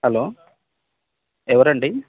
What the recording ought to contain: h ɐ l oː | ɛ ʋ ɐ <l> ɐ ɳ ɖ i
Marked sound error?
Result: yes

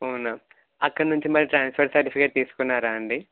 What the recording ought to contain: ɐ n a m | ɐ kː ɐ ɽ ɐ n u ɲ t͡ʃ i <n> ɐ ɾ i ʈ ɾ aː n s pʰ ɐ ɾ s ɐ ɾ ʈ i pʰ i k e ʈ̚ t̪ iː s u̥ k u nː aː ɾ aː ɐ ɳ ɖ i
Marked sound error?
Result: yes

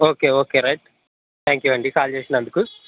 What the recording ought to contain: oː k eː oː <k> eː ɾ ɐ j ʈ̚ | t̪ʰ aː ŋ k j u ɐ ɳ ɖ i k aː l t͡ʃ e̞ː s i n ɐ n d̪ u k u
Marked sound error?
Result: no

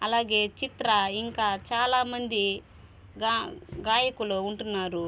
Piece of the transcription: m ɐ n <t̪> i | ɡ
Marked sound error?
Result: yes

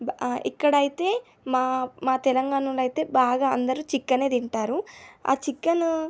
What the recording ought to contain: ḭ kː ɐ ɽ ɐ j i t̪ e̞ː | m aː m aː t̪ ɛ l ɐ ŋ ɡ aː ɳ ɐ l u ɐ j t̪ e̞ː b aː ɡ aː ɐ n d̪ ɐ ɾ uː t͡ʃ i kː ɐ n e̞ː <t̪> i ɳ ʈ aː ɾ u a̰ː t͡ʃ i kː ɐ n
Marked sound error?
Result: yes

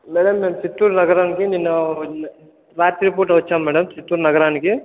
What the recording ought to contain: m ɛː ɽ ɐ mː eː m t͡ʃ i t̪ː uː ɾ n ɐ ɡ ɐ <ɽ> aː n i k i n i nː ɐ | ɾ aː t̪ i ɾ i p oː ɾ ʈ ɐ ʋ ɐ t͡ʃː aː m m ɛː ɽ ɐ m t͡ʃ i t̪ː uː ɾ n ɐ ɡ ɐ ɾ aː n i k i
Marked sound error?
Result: yes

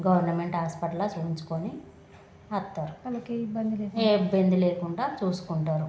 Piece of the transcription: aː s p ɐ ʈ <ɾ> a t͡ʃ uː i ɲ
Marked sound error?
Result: yes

